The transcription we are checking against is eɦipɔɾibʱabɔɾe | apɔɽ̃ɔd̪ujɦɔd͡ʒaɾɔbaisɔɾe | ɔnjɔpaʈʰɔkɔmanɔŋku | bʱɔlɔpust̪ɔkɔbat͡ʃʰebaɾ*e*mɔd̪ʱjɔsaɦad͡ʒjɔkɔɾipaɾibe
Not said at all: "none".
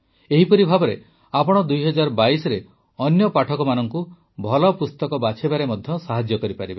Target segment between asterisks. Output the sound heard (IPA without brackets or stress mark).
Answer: e